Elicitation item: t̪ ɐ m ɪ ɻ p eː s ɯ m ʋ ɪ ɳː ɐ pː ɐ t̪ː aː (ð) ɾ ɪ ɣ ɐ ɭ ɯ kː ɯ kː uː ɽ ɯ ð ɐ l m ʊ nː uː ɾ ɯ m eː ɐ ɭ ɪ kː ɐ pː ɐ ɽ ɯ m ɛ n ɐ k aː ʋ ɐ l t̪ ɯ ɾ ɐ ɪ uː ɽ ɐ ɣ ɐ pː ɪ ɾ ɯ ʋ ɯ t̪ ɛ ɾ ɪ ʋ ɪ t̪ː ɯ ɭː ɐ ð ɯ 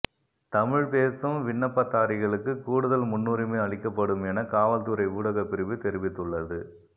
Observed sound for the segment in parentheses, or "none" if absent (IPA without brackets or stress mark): none